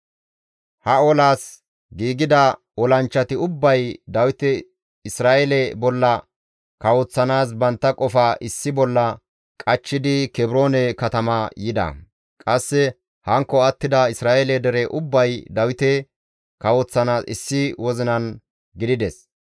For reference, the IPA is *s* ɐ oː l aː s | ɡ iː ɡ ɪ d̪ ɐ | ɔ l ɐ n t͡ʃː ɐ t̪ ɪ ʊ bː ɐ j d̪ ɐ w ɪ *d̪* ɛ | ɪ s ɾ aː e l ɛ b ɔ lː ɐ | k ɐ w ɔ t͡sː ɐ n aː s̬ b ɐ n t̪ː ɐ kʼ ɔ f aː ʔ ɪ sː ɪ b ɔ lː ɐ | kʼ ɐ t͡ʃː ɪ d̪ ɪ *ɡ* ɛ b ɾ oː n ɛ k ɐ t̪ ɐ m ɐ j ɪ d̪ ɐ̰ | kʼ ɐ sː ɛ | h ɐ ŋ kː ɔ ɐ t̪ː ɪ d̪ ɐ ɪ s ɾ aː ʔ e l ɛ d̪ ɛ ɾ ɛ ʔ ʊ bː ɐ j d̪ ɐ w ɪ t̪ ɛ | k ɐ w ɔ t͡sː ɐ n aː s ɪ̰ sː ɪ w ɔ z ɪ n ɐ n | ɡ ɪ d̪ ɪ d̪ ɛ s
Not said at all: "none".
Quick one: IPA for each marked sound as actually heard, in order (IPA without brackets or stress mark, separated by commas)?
h, t̪, k